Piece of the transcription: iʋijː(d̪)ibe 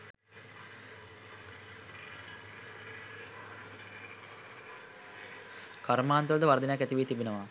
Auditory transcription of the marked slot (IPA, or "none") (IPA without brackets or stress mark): t̪